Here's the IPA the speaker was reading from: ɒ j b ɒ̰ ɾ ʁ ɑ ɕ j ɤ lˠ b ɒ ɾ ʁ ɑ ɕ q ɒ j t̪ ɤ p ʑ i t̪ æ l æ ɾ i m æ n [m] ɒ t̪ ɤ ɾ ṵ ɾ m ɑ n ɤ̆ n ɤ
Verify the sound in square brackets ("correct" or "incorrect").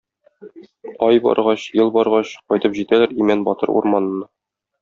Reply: incorrect